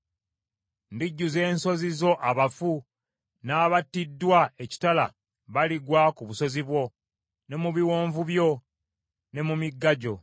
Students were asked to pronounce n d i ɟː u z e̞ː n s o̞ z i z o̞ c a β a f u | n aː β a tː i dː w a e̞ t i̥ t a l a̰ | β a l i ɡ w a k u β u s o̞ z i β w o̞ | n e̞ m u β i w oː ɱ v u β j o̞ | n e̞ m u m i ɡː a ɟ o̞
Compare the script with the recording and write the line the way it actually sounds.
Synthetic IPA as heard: n d i ɟː u z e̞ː n s o̞ z i z o̞ ʔ a β a f u | n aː β a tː i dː w a e̞ c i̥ t a l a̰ | β a l i ɡ w a k u β u s o̞ z i β w o̞ | n e̞ m u β i w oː ɱ v u β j o̞ | n e̞ m u m i ɡː a ɟ o̞